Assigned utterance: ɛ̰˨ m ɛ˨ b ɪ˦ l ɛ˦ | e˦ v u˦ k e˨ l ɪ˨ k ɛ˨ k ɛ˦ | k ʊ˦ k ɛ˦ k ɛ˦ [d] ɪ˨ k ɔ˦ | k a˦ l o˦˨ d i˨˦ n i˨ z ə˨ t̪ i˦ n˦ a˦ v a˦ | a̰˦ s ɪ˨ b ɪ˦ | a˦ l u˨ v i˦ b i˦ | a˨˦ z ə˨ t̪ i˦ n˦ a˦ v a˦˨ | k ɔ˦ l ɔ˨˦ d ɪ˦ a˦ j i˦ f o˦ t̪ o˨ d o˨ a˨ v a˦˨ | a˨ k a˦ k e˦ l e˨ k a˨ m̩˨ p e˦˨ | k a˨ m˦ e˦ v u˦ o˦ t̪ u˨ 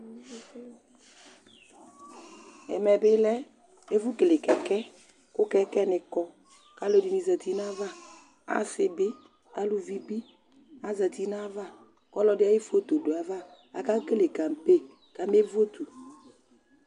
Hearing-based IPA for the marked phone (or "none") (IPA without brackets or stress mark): n